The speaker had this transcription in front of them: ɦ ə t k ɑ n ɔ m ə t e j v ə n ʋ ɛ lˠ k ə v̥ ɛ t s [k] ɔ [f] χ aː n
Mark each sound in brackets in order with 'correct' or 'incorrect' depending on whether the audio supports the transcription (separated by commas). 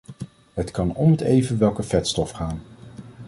incorrect, correct